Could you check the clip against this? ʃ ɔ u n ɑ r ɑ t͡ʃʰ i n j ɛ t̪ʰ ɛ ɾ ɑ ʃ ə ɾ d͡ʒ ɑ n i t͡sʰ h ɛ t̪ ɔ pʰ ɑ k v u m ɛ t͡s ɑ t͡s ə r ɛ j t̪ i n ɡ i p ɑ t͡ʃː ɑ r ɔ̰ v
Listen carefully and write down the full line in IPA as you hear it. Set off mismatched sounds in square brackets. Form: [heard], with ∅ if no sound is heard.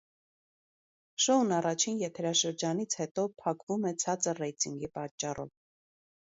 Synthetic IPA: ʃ ɔ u n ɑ r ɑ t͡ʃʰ i n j ɛ t̪ʰ ɛ ɾ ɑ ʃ ə ɾ d͡ʒ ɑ n i t͡sʰ h ɛ t̪ ɔ pʰ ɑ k v u m ɛ [t͡sʰ] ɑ t͡s ə r ɛ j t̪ i [ŋ] ɡ i p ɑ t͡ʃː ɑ r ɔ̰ v